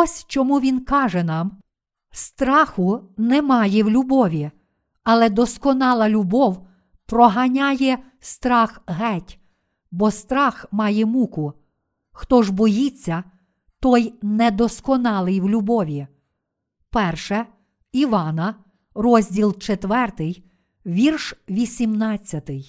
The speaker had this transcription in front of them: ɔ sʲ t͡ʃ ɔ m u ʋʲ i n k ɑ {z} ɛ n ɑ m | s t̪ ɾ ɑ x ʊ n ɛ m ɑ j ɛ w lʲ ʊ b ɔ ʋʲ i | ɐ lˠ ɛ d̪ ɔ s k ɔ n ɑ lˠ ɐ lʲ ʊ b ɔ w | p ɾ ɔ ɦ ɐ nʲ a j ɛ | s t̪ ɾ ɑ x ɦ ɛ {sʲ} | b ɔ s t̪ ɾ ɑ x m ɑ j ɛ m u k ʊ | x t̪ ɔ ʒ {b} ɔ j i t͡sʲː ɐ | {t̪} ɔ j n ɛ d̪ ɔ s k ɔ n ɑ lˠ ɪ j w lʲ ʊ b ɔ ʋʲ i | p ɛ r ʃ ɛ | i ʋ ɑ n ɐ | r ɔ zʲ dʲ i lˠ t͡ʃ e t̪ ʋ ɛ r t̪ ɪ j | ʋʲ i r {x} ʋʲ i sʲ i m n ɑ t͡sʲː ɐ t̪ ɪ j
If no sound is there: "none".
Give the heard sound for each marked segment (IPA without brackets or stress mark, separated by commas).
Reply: ʒ, tʲ, b, t̪, ʃ